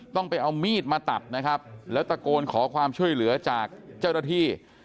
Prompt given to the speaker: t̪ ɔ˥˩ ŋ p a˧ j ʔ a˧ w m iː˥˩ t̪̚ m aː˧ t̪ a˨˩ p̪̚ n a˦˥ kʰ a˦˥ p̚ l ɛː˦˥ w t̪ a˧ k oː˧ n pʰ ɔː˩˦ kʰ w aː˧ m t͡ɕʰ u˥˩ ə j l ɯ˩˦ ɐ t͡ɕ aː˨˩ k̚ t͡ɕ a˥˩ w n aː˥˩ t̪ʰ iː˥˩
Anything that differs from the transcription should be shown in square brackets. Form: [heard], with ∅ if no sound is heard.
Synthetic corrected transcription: t̪ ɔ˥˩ ŋ p a˧ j ʔ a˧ w m iː˥˩ t̪̚ m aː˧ t̪ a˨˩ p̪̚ n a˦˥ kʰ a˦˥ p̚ l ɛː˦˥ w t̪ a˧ k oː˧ n [kʰ] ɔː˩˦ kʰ w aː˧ m t͡ɕʰ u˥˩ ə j l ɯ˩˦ ɐ t͡ɕ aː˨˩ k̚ t͡ɕ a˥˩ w n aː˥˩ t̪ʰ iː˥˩